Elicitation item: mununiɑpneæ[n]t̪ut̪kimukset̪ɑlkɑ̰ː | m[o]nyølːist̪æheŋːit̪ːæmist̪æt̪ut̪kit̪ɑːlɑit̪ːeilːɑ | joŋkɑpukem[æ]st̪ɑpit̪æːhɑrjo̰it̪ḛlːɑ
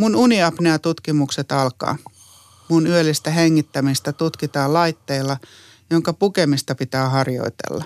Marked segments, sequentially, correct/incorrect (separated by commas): incorrect, incorrect, incorrect